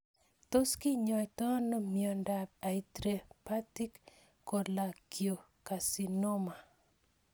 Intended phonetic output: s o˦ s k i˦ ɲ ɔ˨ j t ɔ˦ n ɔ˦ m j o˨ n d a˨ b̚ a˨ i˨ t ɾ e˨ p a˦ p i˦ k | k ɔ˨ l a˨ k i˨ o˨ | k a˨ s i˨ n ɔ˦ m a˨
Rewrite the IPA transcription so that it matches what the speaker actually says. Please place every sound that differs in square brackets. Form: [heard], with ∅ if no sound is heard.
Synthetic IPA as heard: [t] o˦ s k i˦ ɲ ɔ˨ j t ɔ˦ n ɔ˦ m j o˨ n d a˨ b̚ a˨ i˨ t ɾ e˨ p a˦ [t] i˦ k | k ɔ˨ l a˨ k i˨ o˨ | k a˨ s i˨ n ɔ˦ m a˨